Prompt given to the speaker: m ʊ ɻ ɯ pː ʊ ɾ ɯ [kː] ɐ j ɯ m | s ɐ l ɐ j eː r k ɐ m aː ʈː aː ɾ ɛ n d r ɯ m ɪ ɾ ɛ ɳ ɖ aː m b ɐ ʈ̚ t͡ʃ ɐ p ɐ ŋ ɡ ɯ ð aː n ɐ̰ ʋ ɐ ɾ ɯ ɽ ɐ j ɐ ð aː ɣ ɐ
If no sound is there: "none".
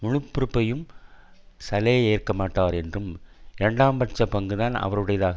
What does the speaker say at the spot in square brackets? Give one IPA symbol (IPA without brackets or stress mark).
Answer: pː